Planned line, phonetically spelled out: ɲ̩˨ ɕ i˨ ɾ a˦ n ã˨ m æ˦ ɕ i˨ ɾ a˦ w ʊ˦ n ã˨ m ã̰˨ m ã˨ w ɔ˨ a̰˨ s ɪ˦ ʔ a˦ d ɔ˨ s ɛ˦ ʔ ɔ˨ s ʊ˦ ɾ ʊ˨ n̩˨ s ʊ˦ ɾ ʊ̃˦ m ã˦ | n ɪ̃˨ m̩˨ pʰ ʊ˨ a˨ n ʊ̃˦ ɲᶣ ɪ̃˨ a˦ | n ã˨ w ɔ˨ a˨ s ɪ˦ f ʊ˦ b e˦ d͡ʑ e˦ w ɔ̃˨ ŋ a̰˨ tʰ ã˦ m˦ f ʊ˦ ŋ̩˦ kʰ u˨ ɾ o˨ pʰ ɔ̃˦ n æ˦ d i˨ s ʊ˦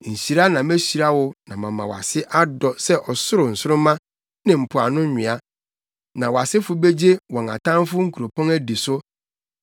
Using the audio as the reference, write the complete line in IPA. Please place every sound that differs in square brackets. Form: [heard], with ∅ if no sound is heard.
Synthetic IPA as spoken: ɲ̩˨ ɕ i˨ ɾ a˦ n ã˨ m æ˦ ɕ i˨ ɾ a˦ w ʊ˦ n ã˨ m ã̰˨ m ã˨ w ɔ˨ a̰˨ s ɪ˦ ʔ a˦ d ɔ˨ s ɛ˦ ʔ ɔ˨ s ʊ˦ ɾ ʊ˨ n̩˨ s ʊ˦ ɾ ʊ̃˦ m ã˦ | n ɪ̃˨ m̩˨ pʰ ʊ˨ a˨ n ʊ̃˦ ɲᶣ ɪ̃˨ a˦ | n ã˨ w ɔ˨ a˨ s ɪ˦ f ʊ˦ b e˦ d͡ʑ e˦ w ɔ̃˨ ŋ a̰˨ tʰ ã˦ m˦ f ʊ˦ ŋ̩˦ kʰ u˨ ɾ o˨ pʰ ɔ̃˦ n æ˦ d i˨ s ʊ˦